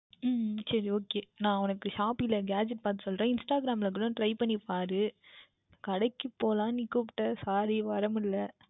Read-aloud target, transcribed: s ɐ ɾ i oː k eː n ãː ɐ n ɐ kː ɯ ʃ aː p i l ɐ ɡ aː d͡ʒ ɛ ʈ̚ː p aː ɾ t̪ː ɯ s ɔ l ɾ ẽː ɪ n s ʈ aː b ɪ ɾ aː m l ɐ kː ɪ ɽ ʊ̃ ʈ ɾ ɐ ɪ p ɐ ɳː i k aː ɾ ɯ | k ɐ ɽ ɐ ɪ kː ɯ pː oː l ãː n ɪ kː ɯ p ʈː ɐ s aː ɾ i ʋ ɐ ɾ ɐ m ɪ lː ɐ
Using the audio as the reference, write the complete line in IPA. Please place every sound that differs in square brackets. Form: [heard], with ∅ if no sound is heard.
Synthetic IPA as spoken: s ɐ ɾ i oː k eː n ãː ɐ n ɐ kː ɯ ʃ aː p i l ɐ ɡ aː d͡ʒ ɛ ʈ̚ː p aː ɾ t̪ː ɯ s ɔ l ɾ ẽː ɪ n s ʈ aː [ɡ] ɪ ɾ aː m l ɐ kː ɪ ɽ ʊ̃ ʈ ɾ ɐ ɪ p ɐ ɳː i [p] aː ɾ ɯ | k ɐ ɽ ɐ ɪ kː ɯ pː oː l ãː n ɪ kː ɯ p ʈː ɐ s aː ɾ i ʋ ɐ ɾ ɐ m ɪ lː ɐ